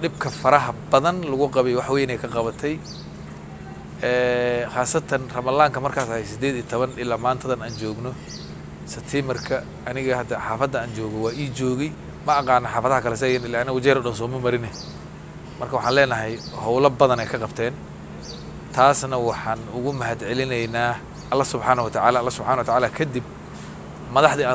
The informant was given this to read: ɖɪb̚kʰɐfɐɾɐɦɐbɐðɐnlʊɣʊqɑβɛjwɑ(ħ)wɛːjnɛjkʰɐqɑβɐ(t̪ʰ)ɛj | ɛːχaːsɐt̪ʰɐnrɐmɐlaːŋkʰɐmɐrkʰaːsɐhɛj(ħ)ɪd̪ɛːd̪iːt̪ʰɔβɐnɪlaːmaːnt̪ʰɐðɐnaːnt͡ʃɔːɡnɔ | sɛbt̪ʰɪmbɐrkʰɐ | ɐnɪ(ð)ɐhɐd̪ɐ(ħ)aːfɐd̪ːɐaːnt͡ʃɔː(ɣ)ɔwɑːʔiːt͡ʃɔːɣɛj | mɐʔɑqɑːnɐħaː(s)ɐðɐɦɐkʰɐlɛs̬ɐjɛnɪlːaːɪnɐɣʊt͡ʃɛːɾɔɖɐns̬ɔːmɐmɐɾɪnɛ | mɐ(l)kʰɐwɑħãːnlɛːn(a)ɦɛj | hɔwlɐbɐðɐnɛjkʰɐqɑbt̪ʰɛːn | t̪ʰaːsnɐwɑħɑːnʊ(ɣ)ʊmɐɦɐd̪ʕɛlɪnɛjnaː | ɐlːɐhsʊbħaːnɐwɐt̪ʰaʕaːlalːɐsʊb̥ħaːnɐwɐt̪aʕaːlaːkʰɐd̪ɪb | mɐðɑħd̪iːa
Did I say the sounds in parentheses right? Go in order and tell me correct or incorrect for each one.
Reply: correct, correct, incorrect, incorrect, correct, correct, incorrect, incorrect, incorrect, correct

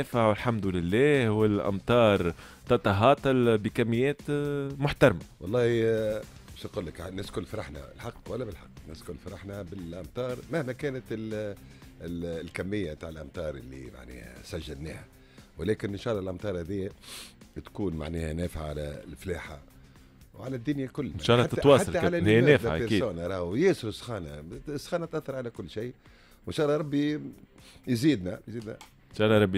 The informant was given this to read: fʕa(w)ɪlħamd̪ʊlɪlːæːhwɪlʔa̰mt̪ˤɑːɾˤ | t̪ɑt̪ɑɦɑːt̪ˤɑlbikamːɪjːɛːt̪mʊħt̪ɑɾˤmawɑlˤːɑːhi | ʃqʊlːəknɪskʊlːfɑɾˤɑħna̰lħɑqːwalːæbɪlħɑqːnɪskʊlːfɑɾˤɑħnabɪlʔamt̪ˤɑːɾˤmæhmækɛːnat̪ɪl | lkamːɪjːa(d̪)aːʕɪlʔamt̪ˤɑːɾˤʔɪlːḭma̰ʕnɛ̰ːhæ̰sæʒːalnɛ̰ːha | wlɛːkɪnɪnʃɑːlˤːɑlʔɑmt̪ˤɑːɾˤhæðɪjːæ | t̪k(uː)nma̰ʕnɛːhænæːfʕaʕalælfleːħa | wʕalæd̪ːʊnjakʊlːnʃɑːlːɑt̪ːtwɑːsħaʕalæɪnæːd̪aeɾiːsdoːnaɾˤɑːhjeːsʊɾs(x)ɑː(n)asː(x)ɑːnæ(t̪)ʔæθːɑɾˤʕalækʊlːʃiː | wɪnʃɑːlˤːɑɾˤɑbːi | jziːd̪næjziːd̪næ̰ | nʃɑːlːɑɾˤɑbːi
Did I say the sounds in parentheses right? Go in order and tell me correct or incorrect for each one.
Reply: correct, incorrect, correct, correct, correct, correct, correct

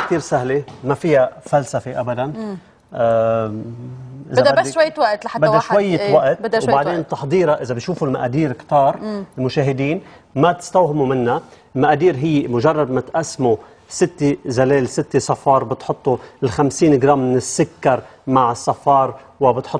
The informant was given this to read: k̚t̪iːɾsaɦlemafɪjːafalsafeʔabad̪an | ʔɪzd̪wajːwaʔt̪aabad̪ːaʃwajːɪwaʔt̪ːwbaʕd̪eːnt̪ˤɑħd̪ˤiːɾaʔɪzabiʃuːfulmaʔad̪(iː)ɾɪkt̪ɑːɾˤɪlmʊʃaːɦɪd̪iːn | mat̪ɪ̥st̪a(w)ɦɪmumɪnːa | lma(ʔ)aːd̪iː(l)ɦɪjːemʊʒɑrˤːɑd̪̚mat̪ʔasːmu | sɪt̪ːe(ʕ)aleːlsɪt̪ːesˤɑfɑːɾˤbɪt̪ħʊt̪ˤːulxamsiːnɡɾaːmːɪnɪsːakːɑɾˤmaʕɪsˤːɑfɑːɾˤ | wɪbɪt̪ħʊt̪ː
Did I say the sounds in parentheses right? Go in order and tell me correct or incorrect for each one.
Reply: correct, correct, correct, incorrect, incorrect

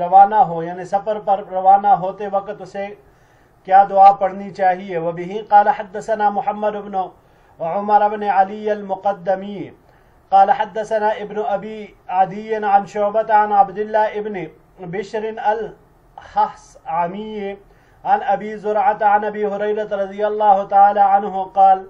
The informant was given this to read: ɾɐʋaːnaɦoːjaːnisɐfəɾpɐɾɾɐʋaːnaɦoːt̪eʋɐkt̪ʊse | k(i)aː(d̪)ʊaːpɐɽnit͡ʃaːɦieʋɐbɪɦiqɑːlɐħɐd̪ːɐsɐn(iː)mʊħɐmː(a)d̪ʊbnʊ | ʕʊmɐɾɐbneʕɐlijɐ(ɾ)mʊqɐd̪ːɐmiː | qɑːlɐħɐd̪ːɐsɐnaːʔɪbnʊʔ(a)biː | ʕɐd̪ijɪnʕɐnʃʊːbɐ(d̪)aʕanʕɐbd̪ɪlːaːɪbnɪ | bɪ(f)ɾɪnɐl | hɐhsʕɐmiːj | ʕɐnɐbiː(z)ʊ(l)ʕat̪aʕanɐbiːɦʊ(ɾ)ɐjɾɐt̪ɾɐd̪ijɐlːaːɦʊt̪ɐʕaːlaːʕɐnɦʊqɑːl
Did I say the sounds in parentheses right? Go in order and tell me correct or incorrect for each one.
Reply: incorrect, correct, incorrect, incorrect, incorrect, incorrect, incorrect, incorrect, correct, incorrect, correct

